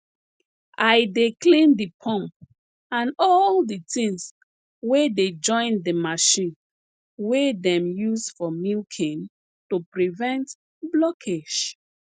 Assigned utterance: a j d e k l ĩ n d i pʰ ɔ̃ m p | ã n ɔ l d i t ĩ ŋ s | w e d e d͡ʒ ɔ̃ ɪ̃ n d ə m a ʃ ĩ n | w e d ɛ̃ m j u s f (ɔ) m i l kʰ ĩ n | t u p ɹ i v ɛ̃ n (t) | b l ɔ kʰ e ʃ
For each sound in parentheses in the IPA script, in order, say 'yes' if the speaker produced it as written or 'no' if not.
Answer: yes, yes

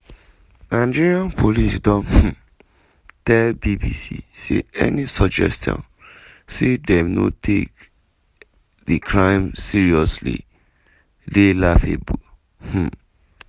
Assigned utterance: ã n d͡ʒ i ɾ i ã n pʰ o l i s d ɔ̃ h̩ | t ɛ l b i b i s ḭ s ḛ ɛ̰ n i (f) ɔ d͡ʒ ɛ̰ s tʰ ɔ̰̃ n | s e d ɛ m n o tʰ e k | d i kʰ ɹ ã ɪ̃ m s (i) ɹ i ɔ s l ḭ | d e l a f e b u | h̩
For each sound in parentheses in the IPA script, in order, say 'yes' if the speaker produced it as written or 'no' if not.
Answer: no, yes

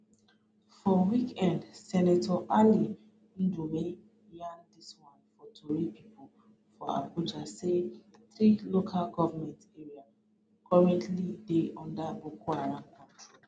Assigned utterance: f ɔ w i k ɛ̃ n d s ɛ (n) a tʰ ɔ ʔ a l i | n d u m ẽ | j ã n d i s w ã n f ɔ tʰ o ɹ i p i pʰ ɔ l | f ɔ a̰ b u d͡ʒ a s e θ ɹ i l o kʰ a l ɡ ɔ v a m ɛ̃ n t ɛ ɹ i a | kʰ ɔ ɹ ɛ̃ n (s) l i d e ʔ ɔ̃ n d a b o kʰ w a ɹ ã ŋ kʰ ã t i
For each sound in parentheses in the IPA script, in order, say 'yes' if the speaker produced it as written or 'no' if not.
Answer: yes, no

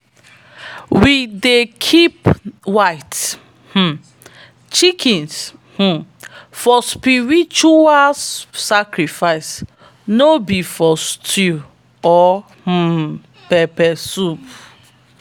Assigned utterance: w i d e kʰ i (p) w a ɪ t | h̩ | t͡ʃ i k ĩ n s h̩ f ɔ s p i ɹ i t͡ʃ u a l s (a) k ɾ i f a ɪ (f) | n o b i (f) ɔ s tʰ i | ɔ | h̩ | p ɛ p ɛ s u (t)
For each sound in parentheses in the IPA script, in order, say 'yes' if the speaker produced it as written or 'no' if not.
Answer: yes, yes, no, yes, no

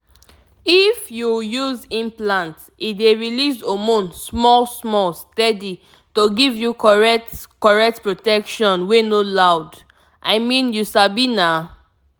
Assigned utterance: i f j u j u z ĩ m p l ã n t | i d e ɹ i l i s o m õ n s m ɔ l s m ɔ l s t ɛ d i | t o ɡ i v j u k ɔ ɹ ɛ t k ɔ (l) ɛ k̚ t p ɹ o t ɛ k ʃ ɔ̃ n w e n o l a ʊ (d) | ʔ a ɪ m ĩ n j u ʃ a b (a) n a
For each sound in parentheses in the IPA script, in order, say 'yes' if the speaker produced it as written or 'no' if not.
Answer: no, yes, no

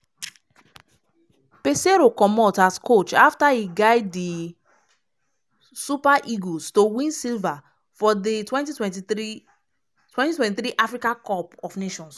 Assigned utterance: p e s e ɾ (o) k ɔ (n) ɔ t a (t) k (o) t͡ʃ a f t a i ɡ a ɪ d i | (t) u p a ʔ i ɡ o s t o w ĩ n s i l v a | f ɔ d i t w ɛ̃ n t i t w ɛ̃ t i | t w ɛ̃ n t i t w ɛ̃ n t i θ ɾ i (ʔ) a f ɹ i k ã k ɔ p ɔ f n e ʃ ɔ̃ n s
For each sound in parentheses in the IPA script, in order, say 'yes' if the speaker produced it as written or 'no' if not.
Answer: yes, no, no, yes, no, yes

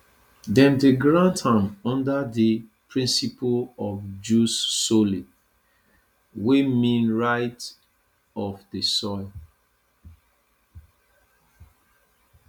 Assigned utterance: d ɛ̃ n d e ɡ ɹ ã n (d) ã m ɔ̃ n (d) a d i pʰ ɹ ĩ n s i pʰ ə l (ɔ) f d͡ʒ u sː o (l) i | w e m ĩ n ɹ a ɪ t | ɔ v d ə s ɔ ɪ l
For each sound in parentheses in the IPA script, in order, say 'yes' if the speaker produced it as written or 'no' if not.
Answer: no, yes, yes, yes

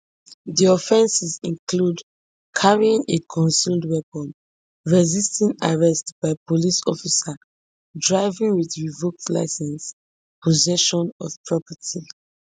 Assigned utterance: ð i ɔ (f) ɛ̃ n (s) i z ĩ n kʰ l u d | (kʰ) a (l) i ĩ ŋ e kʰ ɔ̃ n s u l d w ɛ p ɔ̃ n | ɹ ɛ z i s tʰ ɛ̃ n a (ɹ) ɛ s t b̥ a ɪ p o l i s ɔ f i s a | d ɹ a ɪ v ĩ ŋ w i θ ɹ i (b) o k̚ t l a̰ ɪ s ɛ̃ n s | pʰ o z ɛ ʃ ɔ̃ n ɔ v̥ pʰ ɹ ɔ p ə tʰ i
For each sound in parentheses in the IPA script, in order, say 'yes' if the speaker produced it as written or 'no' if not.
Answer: yes, yes, yes, no, yes, no

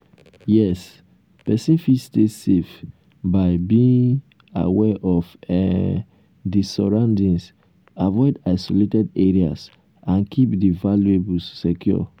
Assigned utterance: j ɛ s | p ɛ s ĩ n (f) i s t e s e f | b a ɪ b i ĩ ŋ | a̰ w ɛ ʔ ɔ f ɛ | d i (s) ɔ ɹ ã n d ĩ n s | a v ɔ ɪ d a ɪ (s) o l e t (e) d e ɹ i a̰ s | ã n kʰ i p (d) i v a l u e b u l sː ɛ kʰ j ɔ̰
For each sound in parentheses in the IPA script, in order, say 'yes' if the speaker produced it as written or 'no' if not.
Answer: yes, yes, yes, no, yes

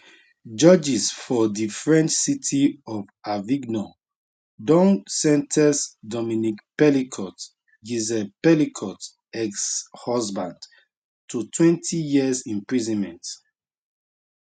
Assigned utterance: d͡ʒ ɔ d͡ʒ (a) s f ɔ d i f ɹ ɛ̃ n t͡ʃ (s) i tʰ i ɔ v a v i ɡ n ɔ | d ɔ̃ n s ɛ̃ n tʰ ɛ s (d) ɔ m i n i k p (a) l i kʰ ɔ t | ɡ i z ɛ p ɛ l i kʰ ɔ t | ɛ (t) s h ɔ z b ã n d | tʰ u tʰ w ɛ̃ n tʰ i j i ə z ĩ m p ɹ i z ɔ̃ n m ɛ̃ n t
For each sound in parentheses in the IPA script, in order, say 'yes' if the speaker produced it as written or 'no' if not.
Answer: no, yes, yes, no, no

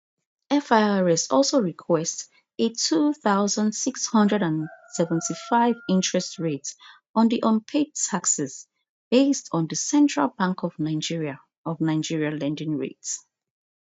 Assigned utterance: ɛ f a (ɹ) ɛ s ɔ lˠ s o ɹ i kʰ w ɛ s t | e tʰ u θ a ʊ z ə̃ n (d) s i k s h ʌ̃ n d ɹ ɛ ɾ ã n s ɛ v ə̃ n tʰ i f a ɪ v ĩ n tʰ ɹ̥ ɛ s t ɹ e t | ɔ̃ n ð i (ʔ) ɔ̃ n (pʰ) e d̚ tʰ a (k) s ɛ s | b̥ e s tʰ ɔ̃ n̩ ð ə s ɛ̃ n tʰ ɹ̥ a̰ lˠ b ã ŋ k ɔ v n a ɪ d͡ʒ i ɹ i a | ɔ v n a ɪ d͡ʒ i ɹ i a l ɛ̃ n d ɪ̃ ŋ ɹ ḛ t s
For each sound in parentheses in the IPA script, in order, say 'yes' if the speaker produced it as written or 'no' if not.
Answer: yes, yes, yes, yes, yes

